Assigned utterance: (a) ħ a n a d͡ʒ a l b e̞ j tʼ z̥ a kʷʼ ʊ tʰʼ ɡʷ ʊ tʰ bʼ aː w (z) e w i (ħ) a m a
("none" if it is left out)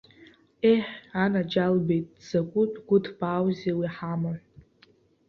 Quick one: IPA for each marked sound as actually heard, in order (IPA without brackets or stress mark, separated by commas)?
e, z, ħ